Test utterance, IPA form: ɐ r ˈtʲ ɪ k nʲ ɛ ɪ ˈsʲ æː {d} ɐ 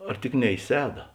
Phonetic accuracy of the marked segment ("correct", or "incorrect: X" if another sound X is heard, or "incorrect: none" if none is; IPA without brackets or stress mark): correct